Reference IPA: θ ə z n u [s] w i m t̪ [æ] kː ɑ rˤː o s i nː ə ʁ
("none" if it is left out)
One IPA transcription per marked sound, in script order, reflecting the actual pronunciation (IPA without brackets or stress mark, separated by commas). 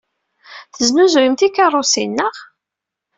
z, i